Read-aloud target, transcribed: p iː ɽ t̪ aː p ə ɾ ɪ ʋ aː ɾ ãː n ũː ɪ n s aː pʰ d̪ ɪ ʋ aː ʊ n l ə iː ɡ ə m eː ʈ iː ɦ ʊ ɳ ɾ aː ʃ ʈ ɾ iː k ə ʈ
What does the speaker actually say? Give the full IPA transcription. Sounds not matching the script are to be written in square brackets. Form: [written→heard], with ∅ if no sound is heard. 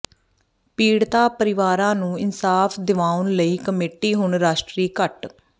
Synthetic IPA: p iː ɽ t̪ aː p ə ɾ ɪ ʋ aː ɾ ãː n ũː ɪ n s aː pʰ d̪ ɪ ʋ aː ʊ n l ə iː [ɡ→k] ə m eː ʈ iː ɦ ʊ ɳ ɾ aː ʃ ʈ ɾ iː k ə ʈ